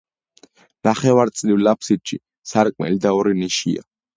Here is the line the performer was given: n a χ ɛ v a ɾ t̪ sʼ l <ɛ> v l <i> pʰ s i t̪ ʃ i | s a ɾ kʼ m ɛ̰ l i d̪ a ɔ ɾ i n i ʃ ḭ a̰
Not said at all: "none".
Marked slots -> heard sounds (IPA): i, a

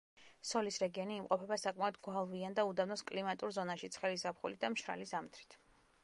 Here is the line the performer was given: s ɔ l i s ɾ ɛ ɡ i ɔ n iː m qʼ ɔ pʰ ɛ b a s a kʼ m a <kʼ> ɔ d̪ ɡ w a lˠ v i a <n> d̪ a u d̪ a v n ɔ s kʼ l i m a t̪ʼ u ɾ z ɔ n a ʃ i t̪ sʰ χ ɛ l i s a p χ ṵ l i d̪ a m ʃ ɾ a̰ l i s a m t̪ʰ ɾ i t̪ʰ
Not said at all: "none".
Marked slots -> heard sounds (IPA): none, n

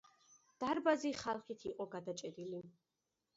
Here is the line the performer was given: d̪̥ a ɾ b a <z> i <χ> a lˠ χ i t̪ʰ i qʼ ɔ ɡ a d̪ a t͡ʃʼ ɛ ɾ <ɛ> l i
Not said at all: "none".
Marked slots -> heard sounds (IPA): z, χ, i

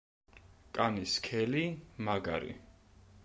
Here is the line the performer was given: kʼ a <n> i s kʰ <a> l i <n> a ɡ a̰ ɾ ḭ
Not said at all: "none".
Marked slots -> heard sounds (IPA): n, ɛ, m

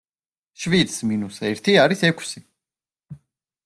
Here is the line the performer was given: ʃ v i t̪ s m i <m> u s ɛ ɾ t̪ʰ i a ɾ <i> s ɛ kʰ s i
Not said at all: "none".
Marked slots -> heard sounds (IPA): n, i

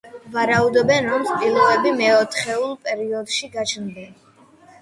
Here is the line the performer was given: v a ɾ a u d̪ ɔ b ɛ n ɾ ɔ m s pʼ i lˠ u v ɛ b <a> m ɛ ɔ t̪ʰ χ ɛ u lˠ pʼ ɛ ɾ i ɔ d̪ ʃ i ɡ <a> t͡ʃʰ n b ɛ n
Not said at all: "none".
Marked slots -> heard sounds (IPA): i, a

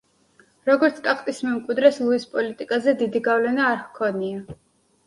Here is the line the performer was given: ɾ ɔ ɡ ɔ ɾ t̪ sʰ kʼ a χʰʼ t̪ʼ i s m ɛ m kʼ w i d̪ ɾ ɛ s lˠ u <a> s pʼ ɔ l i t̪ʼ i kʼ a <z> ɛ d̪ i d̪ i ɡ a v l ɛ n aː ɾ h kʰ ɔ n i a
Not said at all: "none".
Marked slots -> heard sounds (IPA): i, z

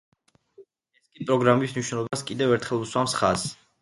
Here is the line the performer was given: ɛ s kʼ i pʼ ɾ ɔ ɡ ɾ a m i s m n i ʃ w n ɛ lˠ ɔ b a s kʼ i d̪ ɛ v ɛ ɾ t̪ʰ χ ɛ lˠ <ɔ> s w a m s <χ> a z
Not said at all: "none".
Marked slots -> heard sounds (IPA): u, χ

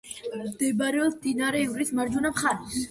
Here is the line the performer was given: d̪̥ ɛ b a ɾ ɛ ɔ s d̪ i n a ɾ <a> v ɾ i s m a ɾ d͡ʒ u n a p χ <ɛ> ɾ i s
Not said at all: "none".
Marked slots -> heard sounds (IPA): ɛ, a

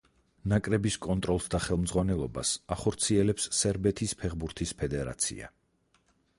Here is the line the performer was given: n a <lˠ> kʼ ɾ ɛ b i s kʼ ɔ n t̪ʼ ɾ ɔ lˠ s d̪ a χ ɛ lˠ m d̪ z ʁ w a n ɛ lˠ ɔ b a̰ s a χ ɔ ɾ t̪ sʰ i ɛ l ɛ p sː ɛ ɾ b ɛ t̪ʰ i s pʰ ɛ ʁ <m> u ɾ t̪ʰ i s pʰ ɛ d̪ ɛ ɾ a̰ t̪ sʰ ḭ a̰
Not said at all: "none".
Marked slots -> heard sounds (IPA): none, b

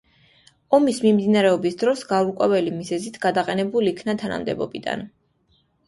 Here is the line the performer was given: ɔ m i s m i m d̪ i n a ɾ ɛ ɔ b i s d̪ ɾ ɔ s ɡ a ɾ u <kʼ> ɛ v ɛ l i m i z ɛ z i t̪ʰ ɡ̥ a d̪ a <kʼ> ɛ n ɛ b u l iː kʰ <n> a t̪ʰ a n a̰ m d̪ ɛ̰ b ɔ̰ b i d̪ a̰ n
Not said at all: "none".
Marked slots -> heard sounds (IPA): kʼ, qʼ, n

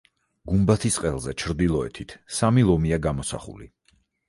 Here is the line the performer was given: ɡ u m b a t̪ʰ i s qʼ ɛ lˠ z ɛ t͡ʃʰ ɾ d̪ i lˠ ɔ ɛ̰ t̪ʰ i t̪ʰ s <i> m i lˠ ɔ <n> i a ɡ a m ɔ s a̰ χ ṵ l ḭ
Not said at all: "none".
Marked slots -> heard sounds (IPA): a, m

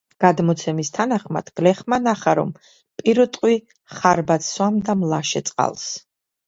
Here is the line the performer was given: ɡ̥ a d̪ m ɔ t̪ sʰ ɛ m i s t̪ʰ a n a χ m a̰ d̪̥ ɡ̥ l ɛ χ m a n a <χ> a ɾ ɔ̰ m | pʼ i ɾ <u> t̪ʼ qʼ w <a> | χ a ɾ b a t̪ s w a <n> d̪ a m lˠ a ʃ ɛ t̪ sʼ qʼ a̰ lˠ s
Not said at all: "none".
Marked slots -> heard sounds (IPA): χ, ɔ, i, m

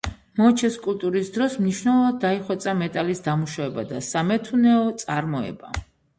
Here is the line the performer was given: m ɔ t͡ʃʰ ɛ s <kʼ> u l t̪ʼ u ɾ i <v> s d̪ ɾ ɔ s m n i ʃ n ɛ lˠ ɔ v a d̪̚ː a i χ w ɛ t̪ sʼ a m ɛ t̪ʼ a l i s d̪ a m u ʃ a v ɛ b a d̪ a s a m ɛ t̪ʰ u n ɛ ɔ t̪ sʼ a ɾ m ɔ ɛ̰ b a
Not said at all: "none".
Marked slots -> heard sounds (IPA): kʼ, none

